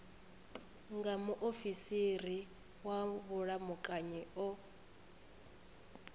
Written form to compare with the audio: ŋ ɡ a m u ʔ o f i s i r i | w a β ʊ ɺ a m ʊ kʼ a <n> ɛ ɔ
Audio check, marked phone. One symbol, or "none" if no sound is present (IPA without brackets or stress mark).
ɲ